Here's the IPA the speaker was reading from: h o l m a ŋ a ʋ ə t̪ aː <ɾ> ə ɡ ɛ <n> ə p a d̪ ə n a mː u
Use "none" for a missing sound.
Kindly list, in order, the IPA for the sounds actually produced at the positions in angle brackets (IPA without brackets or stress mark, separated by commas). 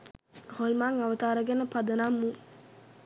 ɾ, n